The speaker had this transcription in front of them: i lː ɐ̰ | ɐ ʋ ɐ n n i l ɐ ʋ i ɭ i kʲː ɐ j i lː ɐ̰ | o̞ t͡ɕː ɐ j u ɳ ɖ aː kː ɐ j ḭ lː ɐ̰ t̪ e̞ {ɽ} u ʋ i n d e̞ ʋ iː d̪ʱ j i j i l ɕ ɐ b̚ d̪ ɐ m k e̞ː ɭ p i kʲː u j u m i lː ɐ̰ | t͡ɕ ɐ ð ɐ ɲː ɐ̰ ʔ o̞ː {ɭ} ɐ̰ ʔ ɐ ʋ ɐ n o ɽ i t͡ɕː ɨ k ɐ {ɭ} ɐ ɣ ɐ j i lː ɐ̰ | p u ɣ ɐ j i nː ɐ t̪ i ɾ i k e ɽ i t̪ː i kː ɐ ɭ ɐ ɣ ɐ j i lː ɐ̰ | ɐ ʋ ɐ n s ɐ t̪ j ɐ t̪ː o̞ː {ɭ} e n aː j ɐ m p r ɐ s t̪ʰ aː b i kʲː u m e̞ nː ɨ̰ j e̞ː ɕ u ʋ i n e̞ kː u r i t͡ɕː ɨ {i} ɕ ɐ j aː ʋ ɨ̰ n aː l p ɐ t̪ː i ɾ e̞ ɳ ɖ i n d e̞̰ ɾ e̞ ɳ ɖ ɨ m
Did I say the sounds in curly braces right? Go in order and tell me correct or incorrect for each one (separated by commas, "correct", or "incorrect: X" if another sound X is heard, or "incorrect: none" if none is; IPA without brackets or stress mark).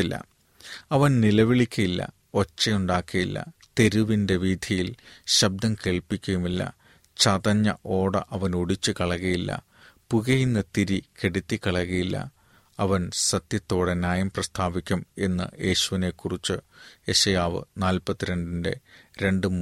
incorrect: ɾ, incorrect: ɽ, correct, incorrect: ɽ, incorrect: e